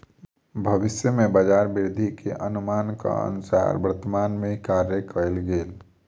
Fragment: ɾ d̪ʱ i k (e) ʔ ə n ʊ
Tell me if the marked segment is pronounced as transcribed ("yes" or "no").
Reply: yes